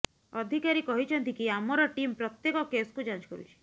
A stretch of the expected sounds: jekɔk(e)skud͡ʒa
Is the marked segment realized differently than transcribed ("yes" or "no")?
no